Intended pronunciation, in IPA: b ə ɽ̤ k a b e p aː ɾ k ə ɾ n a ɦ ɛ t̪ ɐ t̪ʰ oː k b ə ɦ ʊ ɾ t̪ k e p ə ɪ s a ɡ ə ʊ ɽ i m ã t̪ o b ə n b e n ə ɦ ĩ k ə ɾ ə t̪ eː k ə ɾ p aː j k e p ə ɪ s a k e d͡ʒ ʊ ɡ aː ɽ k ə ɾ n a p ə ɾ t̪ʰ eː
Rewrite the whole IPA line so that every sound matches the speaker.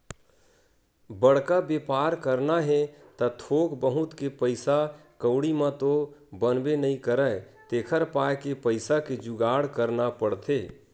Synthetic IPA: b ə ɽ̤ k a b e p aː ɾ k ə ɾ n a ɦ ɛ t̪ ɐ t̪ʰ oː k b ə ɦ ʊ t̪ k e p ə ɪ s a k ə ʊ ɽ i m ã t̪ o b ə n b e n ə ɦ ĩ k ə ɾ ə t̪ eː kʰ ə ɾ p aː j k e p ə ɪ s a k e d͡ʒ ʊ ɡ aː ɽ k ə ɾ n a p ə ɽ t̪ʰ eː